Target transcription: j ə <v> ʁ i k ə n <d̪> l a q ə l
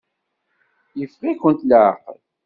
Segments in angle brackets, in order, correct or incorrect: incorrect, incorrect

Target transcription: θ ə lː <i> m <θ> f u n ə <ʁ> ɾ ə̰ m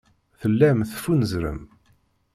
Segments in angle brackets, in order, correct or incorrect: incorrect, correct, incorrect

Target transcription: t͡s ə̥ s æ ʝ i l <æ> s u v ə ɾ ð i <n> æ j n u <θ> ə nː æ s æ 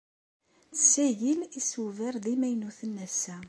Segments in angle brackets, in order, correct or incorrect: incorrect, incorrect, correct

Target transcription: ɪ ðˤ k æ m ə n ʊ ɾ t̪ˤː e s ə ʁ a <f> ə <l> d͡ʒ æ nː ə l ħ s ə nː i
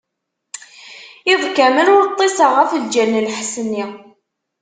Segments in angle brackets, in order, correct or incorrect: correct, correct

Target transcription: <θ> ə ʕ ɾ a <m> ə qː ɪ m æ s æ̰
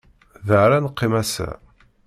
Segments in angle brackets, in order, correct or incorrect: incorrect, incorrect

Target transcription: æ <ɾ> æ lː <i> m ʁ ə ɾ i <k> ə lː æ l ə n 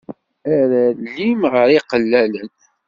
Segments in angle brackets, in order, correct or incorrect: correct, correct, incorrect

